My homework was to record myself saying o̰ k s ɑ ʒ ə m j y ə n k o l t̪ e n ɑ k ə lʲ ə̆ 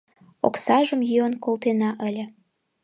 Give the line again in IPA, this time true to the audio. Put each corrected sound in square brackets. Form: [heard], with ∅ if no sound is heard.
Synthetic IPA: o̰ k s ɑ ʒ ə m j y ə n k o l t̪ e n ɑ [ʔ] ə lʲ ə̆